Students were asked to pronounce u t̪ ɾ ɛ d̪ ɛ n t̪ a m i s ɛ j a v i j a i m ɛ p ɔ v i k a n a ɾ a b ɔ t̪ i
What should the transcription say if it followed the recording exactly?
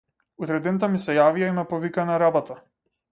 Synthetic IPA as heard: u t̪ ɾ ɛ d̪ ɛ n t̪ a m i s ɛ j a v i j a i m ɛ p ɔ v i k a n a ɾ a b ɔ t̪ a